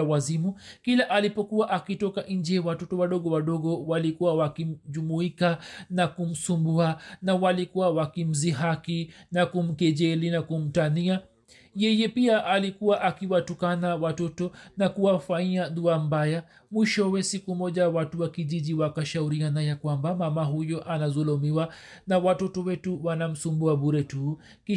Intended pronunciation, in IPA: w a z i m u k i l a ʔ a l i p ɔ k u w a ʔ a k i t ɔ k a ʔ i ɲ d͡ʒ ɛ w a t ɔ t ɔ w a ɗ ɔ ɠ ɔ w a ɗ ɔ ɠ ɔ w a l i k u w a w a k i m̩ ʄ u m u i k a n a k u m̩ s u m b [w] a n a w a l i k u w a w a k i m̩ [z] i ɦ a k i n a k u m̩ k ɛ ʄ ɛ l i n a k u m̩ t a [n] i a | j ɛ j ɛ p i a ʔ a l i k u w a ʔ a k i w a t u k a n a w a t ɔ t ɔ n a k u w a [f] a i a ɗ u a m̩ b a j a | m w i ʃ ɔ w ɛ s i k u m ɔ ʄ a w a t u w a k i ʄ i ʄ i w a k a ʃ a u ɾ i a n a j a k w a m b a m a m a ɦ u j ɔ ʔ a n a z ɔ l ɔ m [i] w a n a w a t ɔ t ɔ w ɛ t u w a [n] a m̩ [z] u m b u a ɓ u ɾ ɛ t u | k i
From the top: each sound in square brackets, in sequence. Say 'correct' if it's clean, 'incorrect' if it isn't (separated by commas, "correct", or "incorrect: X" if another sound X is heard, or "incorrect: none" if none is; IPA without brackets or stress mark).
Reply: incorrect: u, correct, correct, correct, correct, correct, incorrect: s